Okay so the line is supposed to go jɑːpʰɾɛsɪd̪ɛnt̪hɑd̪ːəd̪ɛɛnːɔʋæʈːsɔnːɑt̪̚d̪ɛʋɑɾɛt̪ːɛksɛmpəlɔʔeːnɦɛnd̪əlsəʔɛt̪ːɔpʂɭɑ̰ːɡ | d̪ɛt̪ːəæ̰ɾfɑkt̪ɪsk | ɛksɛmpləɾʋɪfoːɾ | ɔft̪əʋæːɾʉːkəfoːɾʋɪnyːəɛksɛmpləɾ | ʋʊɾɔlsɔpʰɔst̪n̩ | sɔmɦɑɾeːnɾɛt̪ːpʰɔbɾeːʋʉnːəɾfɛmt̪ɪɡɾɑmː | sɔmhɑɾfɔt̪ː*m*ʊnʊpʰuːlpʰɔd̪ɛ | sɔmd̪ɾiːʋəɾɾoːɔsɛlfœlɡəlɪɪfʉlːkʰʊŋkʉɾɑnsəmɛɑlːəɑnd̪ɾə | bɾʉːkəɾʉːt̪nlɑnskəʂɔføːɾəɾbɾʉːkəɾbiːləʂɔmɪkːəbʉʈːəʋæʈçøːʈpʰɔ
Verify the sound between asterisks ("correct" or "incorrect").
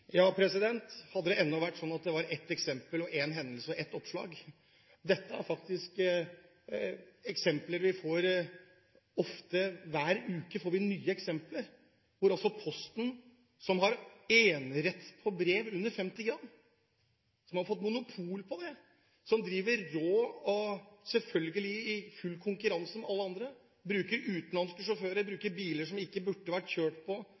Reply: correct